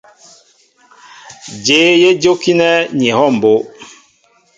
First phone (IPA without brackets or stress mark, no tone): d͡ʒ